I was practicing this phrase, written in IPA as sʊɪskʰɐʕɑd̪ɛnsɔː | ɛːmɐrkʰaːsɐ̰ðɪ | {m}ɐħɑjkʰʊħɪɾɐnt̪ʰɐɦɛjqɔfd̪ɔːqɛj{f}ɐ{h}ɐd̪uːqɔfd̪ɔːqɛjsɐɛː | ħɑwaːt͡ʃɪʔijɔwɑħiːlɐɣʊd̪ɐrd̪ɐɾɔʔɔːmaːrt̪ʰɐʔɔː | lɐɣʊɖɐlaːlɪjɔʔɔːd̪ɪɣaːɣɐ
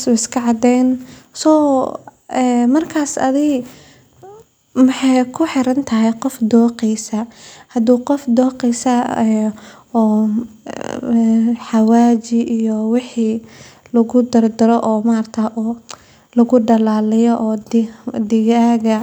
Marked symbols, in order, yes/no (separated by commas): yes, no, yes